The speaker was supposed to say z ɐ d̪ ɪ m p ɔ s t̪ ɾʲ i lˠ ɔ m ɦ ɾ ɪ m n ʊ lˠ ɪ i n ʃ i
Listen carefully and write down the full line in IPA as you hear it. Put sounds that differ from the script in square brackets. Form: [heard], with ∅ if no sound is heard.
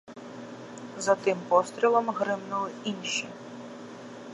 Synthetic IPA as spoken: z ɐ [t̪] ɪ m p ɔ s t̪ ɾʲ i lˠ ɔ m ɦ ɾ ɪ m n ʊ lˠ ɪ i n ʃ i